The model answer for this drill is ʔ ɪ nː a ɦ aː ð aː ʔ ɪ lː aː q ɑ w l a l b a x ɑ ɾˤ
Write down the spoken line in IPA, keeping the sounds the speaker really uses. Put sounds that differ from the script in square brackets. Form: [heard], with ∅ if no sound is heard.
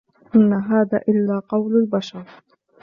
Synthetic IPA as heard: ʔ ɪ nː a ɦ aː ð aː ʔ ɪ lː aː q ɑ w l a l b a [ʃ] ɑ ɾˤ